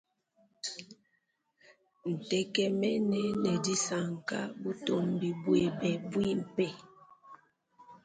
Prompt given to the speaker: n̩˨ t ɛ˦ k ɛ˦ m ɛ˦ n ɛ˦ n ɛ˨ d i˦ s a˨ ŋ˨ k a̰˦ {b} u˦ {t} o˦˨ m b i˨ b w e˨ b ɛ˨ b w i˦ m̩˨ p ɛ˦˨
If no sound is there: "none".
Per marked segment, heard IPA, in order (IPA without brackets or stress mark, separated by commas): b, t